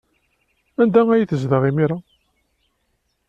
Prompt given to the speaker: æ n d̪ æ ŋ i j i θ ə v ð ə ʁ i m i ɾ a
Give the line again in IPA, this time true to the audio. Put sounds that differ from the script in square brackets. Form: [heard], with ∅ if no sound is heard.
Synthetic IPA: æ n d̪ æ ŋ [æ] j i θ ə [z] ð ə ʁ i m i ɾ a